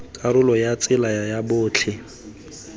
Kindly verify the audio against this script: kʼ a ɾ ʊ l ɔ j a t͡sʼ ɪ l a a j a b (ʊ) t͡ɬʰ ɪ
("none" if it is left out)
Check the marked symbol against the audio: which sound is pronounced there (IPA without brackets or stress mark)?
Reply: ʊː